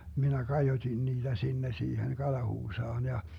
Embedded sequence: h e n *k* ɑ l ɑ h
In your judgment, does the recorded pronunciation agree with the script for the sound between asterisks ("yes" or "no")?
yes